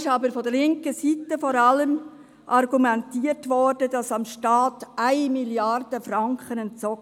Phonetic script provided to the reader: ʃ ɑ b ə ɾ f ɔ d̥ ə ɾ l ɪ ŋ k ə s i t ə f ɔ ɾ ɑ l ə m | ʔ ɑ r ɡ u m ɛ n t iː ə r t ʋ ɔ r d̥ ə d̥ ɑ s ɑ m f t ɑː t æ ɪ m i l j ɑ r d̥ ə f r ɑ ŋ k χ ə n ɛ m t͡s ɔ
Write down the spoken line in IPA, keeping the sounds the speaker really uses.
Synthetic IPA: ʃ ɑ b ə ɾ f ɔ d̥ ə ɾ l ɪ ŋ k ə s i t ə f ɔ ɾ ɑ l ə m | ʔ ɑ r ɡ u m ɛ n t iː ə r t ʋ ɔ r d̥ ə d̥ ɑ s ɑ m ʃ t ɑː t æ ɪ m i l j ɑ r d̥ ə f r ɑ ŋ k χ ə n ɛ n t͡s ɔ